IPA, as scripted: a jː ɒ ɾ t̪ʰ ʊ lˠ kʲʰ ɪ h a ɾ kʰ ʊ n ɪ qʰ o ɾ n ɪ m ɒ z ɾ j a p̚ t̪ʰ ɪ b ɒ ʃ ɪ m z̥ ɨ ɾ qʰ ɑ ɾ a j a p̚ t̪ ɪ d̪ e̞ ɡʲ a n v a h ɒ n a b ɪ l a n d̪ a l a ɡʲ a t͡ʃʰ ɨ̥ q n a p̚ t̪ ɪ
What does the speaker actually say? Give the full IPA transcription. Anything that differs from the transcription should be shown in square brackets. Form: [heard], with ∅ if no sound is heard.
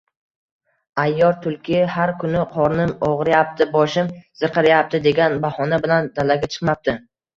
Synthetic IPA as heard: a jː ɒ ɾ t̪ʰ ʊ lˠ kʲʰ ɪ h a ɾ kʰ ʊ n ɪ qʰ [ɒ] ɾ n ɪ m ɒ [ʁ] ɾ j a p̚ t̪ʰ ɪ b ɒ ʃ ɪ m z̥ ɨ ɾ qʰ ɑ ɾ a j a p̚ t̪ ɪ d̪ e̞ ɡʲ a n [b] a h ɒ n a b ɪ l a n d̪ a l a ɡʲ a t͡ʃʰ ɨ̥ q [m] a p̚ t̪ ɪ